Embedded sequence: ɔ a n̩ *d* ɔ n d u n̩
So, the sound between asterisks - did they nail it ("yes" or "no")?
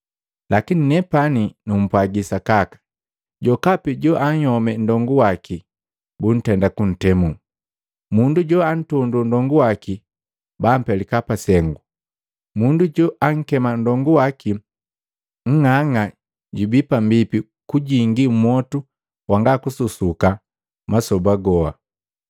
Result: no